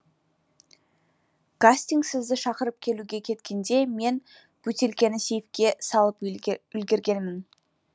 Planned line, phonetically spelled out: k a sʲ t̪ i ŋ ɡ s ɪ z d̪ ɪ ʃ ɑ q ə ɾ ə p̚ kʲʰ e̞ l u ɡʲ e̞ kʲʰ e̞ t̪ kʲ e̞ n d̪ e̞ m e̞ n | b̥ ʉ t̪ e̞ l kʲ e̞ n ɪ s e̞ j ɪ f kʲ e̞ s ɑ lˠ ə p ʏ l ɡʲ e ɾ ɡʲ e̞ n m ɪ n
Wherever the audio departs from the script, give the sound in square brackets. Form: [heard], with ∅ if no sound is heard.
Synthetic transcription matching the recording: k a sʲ t̪ i ŋ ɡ s ɪ z d̪ ɪ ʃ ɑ q ə ɾ ə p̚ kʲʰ e̞ l u ɡʲ e̞ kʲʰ e̞ t̪ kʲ e̞ n d̪ e̞ m e̞ n | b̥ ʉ t̪ e̞ l kʲ e̞ n ɪ s e̞ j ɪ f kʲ e̞ s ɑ lˠ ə p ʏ l ɡʲ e ɾ ɡʲ e̞ n m ɪ n